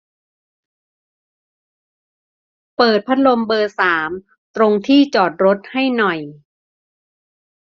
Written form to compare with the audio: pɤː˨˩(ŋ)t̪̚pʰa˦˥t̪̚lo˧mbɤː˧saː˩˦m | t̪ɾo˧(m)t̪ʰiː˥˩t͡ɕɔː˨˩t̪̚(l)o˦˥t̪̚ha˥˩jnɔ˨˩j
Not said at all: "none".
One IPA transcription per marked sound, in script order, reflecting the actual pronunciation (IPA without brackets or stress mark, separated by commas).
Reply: none, ŋ, ɾ